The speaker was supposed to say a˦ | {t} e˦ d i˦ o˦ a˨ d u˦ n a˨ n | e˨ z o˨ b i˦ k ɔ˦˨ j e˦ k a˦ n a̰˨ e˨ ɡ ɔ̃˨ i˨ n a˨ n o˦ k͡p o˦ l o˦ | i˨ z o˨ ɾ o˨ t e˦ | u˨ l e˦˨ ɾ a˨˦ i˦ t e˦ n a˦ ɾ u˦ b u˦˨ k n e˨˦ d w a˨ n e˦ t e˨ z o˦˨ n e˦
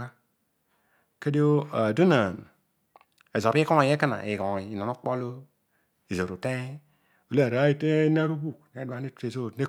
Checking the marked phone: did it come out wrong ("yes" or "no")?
yes